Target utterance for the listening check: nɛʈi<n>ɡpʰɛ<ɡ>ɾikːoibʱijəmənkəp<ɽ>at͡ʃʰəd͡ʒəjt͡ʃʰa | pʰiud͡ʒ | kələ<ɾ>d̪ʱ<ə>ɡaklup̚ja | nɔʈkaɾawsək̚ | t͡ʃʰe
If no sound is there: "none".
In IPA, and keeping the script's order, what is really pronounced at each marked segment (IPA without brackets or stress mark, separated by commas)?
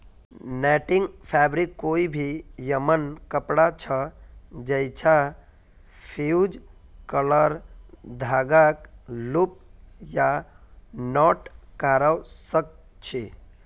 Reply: ŋ, b, ɽ, ɾ, a